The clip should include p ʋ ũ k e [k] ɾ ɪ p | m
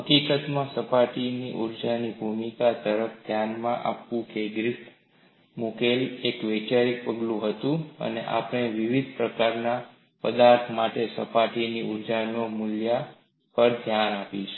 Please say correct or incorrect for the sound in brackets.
incorrect